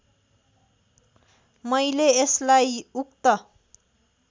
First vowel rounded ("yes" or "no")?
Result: no